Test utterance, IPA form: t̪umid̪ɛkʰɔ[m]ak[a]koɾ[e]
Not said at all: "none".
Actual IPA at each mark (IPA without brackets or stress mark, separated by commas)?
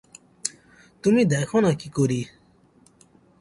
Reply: n, i, i